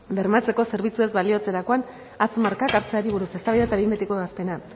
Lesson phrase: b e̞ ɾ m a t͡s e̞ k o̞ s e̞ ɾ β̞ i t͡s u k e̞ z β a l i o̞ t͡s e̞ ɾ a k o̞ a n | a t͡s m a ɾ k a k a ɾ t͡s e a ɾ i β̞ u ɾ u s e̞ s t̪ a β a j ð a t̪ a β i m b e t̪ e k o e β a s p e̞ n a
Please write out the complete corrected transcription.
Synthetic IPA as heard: b e̞ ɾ m a t͡s e̞ k o̞ s e̞ ɾ β̞ i t͡s u e̞ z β a l i o̞ t͡s e̞ ɾ a k o̞ a n | a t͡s m a ɾ k a k a ɾ t͡s e a ɾ i β̞ u ɾ u s e̞ s t̪ a β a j ð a t̪ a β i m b e t̪ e k o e β a s p e̞ n a

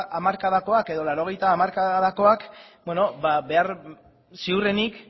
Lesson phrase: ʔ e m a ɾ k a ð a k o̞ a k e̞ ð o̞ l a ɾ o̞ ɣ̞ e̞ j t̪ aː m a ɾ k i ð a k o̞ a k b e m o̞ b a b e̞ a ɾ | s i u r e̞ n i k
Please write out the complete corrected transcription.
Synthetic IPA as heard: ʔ a m a ɾ k a ð a k o̞ a k e̞ ð o̞ l a ɾ o̞ ɣ̞ e̞ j t̪ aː m a ɾ k a ð a k o̞ a k b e n o̞ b a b e̞ a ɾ | s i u r e̞ n i k

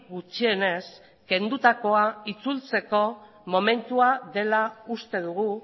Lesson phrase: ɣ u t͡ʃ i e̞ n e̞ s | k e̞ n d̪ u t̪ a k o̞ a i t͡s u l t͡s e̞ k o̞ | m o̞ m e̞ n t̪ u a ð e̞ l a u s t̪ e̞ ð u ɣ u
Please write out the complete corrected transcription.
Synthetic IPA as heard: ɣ u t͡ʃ i e̞ n e̞ s | k e̞ n d̪ u t̪ a k o̞ a i t͡s u l t͡s e̞ k o̞ | m o̞ m e̞ n t̪ u a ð e̞ l a u s t̪ e̞ ð u ɣ u

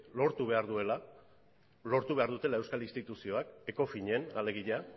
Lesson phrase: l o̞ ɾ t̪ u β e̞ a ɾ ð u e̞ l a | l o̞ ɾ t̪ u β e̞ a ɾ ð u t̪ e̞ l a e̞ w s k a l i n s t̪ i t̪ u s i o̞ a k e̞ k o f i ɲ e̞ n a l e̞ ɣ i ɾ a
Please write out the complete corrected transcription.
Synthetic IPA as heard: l o̞ ɾ t̪ u β e̞ a ɾ ð u e̞ l a | l o̞ ɾ t̪ u β e̞ a ɾ ð u t̪ e̞ l a e̞ w s k a l i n s t̪ i t̪ u s i o̞ a k e̞ k o f i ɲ e̞ n a l e̞ ɣ i ʎ a

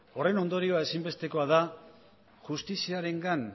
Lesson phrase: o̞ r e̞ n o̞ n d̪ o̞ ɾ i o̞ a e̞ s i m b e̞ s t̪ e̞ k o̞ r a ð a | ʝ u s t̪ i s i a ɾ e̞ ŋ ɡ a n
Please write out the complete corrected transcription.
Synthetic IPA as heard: o̞ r e̞ n o̞ n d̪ o̞ ɾ i o̞ a e̞ s i m b e̞ s t̪ e̞ k o̞ a ð a | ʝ u s t̪ i s i a ɾ e̞ ŋ ɡ a n

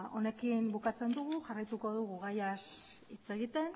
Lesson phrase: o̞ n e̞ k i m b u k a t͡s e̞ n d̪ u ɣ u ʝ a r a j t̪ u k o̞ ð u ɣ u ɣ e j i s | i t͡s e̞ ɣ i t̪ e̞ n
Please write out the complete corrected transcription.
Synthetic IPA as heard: o̞ n e̞ k i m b u k a t͡s e̞ n d̪ u ɣ u ʝ a r a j t̪ u k o̞ ð u ɣ u ɣ a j a s | i t͡s e̞ ɣ i t̪ e̞ n

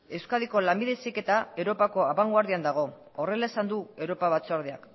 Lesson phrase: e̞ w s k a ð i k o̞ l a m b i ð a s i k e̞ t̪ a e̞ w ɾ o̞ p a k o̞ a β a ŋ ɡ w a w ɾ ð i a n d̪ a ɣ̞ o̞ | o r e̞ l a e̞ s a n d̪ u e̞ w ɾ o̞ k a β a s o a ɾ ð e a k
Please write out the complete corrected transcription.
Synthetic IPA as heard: e̞ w s k a ð i k o̞ l a m b i ð e s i k e̞ t̪ a e̞ w ɾ o̞ p a k o̞ a β a ŋ ɡ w a ɾ ð i a n d̪ a ɣ̞ o̞ | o r e̞ l a e̞ s a n d̪ u e̞ w ɾ o̞ p a β a t͡s o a ɾ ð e a k

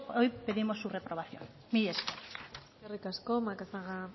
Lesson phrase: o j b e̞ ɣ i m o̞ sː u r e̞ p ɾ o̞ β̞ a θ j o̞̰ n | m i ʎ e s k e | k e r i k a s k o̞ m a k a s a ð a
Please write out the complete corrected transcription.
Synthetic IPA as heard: o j p e̞ ð i m o̞ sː u r e̞ p ɾ o̞ β̞ a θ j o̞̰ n | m i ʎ e s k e | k e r i k a s k o̞ m a k a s a ɣ a

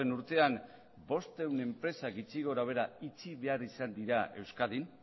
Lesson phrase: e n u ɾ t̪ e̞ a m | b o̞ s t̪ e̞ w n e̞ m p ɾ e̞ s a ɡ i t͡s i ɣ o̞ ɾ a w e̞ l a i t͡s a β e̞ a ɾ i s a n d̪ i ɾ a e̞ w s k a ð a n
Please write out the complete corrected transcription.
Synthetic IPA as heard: e n u ɾ t̪ e̞ a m | b o̞ s t̪ e̞ w n e̞ m p ɾ e̞ s a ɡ i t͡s i ɣ o̞ ɾ a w e̞ ɾ a i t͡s i β e̞ a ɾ i s a n d̪ i ɾ a e̞ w s k a ð i n

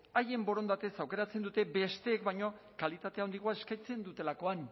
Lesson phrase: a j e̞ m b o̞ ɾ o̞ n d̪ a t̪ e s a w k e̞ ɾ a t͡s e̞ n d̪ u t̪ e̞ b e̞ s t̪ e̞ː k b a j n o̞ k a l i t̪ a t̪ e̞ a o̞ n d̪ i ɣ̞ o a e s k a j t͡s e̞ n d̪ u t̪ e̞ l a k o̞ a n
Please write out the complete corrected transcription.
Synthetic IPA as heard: a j e̞ m b o̞ ɾ o̞ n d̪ a t̪ e s a w k e̞ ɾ a t͡s e̞ n d̪ u t̪ e̞ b e̞ s t̪ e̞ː k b a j ɲ o̞ k a l i t̪ a t̪ e̞ a o̞ n d̪ i ɣ̞ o a e s k a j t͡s e̞ n d̪ u t̪ e̞ l a k o̞ a n

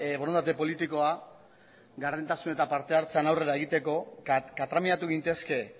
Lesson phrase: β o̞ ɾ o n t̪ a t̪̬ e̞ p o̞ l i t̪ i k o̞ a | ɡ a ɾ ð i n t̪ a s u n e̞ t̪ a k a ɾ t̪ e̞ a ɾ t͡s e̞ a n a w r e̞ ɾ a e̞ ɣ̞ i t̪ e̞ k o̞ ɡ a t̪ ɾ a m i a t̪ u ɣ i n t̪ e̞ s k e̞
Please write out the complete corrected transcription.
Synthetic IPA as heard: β o̞ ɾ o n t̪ a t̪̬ e̞ p o̞ l i t̪ i k o̞ a | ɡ a ɾ ð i n t̪ a s u n e̞ t̪ a p a ɾ t̪ e̞ a ɾ t͡s e̞ a n a w r e̞ ɾ a e̞ ɣ̞ i t̪ e̞ k o̞ k a t̪ ɾ a m i a t̪ u ɣ i n t̪ e̞ s k e̞

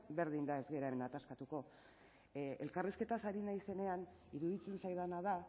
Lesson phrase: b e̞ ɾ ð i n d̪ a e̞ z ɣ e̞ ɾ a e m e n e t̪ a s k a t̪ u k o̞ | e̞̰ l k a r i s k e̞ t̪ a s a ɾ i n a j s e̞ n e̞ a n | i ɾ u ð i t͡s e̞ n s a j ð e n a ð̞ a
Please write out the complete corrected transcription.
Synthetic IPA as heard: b e̞ ɾ ð i n d̪ a e̞ z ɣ e̞ ɾ a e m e n a t̪ a s k a t̪ u k o̞ | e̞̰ l k a r i s k e̞ t̪ a s a ɾ i n a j s e̞ n e̞ a n | i ɾ u ð i t͡s e̞ n s a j ð a n a ð̞ a

